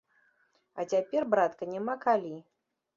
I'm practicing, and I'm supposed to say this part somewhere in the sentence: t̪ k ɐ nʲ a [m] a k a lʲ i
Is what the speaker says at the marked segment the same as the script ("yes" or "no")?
yes